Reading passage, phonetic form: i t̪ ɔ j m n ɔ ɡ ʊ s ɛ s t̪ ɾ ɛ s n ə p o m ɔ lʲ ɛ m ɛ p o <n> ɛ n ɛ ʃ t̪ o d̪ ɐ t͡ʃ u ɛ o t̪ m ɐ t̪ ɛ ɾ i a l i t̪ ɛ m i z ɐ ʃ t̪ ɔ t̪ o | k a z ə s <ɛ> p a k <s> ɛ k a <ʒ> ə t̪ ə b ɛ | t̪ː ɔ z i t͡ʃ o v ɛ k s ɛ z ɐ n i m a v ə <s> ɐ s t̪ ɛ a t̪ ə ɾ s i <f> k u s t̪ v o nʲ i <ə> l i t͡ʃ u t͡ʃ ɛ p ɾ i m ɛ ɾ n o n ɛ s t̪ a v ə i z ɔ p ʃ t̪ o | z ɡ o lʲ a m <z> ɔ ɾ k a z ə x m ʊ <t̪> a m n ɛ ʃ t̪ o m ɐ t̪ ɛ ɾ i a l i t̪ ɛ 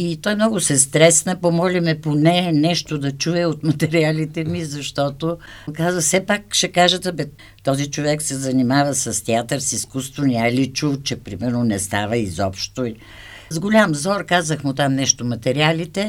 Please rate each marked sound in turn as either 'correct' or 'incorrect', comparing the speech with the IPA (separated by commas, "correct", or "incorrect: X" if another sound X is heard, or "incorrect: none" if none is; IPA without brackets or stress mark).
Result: correct, correct, incorrect: ʃ, correct, correct, incorrect: s, incorrect: a, correct, correct